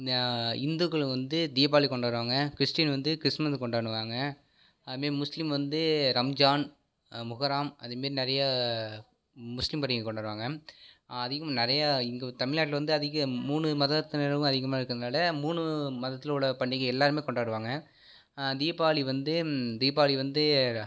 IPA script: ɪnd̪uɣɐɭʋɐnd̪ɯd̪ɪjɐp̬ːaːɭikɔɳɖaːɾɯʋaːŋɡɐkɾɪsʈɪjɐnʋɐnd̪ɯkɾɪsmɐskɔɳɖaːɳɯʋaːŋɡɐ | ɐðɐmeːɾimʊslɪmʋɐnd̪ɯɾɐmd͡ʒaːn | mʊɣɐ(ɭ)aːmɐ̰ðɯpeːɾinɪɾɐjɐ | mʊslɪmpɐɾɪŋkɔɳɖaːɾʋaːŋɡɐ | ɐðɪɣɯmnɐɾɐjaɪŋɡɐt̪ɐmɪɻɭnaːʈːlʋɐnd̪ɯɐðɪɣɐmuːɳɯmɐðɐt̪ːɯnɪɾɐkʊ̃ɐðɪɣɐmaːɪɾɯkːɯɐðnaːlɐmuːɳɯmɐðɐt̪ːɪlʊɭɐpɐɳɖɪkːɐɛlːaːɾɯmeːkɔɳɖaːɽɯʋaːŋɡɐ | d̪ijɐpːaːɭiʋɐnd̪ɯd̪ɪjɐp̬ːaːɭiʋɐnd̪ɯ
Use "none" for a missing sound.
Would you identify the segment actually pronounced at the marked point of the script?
ɾ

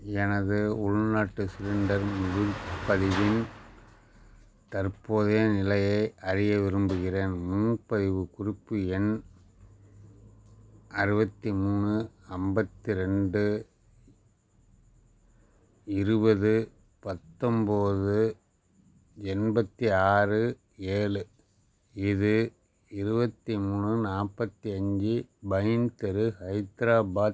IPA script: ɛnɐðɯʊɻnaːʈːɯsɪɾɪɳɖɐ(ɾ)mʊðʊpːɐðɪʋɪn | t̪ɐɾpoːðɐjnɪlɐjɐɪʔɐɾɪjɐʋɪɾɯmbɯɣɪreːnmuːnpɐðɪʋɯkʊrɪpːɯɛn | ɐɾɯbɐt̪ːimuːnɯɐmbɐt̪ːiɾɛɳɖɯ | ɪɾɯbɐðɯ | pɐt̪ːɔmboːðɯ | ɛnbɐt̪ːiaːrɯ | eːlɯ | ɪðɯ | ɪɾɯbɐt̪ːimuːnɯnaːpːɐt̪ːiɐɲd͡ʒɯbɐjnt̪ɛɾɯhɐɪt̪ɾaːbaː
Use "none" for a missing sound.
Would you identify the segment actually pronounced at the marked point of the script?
ɾ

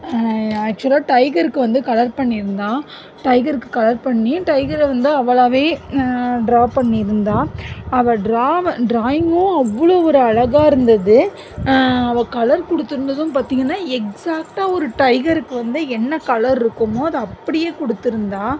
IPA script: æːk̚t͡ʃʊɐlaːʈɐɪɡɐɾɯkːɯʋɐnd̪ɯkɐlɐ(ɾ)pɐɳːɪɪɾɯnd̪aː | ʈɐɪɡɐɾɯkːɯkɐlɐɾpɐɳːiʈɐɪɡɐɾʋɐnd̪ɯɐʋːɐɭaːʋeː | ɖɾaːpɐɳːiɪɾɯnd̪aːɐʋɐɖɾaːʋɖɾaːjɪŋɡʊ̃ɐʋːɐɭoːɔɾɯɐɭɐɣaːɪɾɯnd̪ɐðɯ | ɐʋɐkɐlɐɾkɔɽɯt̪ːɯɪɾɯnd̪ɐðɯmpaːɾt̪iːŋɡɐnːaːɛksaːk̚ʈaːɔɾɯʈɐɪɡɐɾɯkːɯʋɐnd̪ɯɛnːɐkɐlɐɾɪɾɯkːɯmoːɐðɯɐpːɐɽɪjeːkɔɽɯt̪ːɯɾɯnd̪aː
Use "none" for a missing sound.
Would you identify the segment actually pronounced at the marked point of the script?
ɾ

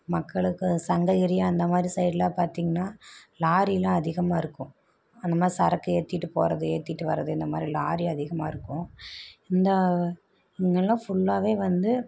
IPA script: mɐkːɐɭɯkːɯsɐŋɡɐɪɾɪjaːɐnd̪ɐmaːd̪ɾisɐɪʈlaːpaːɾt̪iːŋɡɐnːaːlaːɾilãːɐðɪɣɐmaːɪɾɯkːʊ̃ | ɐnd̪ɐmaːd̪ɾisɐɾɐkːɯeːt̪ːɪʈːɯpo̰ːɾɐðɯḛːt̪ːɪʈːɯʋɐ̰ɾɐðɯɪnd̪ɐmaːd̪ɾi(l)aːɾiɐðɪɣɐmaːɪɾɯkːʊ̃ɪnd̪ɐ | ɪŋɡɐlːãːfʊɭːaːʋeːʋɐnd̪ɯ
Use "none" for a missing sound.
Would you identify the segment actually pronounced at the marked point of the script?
l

